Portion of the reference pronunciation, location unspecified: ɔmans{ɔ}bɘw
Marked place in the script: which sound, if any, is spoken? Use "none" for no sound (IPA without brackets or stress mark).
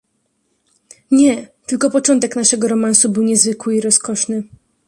u